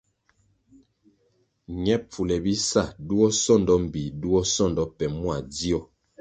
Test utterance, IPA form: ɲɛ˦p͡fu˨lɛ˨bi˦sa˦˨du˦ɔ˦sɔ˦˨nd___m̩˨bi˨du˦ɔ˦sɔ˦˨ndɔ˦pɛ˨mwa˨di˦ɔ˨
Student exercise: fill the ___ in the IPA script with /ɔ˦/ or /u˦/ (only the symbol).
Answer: ɔ˦